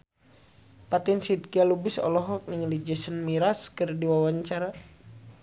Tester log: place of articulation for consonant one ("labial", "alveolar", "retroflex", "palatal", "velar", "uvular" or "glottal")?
labial